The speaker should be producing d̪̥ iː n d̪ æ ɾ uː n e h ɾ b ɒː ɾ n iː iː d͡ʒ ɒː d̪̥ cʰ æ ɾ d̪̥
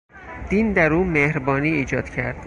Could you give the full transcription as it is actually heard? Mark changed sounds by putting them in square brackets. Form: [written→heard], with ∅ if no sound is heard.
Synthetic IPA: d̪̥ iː n d̪ æ ɾ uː [n→m] e h ɾ b ɒː [ɾ→∅] n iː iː d͡ʒ ɒː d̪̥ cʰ æ ɾ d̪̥

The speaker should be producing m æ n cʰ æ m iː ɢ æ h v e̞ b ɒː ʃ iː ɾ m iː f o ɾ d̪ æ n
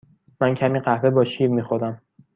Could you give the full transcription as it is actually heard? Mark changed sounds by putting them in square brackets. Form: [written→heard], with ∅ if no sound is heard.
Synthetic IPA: m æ n cʰ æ m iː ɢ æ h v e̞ b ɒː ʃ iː ɾ m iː [f→x] o ɾ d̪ æ [n→m]

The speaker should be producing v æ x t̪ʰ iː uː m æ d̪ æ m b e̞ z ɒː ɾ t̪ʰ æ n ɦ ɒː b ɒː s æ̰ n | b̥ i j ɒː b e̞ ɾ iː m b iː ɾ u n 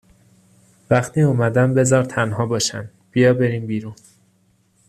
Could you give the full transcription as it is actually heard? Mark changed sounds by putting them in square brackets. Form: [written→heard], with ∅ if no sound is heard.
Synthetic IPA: v æ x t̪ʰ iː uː m æ d̪ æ m b e̞ z ɒː ɾ t̪ʰ æ n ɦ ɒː b ɒː [s→ʃ] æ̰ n | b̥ i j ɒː b e̞ ɾ iː m b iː ɾ u n

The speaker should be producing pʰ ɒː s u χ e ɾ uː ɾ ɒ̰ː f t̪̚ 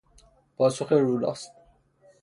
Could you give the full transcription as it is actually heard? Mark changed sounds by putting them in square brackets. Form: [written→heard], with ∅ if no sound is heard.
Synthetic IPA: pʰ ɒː s [u→o] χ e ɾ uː [ɾ→l] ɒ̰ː [f→s] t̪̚

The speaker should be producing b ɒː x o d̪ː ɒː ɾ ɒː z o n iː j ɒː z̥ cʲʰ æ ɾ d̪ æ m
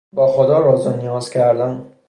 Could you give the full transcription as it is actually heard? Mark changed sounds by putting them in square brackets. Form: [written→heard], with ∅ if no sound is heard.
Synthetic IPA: b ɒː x o [d̪ː→d̪] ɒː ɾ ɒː z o n [iː→i] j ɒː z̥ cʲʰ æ ɾ d̪ æ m

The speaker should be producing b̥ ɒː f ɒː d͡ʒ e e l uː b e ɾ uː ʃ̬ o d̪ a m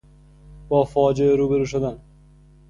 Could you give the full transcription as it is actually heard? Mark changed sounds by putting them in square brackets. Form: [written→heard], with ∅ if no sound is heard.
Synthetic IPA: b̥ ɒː f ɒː d͡ʒ e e [l→ɾ] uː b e ɾ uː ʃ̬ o d̪ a [m→n]

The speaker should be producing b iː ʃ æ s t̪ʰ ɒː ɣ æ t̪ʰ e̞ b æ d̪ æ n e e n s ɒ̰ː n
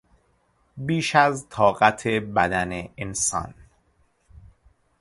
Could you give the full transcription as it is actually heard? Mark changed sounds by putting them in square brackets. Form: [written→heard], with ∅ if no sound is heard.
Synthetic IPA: b iː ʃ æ [s→z] t̪ʰ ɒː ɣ æ t̪ʰ e̞ b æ d̪ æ n e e n s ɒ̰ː n

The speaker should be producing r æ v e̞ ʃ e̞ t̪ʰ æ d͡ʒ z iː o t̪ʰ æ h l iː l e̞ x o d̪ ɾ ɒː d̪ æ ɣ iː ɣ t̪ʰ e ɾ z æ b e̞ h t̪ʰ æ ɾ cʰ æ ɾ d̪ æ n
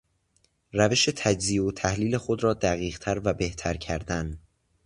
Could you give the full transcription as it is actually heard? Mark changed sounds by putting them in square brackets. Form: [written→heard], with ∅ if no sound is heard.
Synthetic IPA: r æ v e̞ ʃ e̞ t̪ʰ æ d͡ʒ z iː o t̪ʰ æ h l iː l e̞ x o d̪ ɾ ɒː d̪ æ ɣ iː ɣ t̪ʰ [e→æ] ɾ [z→v] æ b e̞ h t̪ʰ æ ɾ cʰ æ ɾ d̪ æ n

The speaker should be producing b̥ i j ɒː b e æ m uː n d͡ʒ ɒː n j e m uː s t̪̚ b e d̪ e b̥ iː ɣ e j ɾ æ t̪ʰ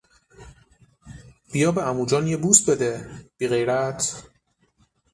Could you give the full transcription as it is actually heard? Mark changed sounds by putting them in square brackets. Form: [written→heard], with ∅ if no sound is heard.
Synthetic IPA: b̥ i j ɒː b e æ m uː [n→∅] d͡ʒ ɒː n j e [m→b] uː s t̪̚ b e d̪ e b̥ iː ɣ e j ɾ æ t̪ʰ

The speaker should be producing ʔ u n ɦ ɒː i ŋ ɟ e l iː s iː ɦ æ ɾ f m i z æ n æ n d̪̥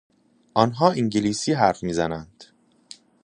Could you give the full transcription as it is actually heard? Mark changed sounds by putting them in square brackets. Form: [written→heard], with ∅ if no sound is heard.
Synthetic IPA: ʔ [u→ɒ] n ɦ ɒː i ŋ ɟ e l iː s iː ɦ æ ɾ f m [i→iː] z æ n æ n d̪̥

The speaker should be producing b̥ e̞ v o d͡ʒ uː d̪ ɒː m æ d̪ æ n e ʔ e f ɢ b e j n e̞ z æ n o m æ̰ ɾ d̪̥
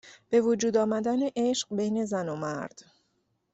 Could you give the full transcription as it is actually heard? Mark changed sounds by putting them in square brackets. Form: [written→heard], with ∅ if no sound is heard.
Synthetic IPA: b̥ e̞ v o d͡ʒ uː d̪ ɒː m æ d̪ æ n e ʔ e [f→ʃ] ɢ b e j n e̞ z æ n o m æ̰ ɾ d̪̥

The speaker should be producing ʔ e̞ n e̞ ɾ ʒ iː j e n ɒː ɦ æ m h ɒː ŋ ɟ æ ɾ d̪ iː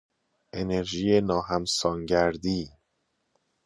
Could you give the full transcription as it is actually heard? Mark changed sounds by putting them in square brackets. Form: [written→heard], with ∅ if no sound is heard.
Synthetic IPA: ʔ e̞ n e̞ ɾ ʒ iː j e n ɒː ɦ æ m [h→s] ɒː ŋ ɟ æ ɾ d̪ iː

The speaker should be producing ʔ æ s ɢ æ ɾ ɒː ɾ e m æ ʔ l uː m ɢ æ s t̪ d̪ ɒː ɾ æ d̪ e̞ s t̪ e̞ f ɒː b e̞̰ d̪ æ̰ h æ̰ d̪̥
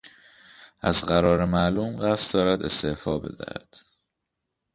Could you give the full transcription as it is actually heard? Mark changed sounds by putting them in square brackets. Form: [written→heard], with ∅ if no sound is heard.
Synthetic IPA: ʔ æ [s→z] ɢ æ ɾ ɒː ɾ e m æ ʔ l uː m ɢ æ s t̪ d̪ ɒː ɾ æ d̪ e̞ s t̪ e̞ f ɒː b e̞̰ d̪ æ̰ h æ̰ d̪̥

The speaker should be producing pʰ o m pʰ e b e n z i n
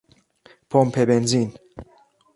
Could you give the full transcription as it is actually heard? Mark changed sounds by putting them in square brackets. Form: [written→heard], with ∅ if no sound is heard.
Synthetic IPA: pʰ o m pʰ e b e n z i n

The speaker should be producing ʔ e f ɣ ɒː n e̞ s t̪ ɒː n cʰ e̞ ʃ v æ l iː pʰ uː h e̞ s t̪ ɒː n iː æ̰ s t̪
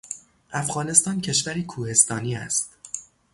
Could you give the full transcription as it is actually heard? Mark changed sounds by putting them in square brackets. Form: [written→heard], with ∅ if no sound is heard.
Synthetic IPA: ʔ [e→æ] f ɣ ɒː n e̞ s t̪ ɒː n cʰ e̞ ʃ v æ [l→ɾ] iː [pʰ→kʰ] uː h e̞ s t̪ ɒː n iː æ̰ s t̪

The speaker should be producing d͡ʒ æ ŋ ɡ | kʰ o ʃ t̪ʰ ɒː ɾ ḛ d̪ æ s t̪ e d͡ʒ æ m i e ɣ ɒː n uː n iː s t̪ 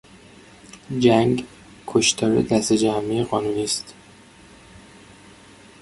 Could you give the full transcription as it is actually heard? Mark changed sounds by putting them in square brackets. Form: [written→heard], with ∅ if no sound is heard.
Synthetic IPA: d͡ʒ æ ŋ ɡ | kʰ o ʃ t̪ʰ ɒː ɾ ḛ d̪ æ s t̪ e d͡ʒ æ m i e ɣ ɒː n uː n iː s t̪

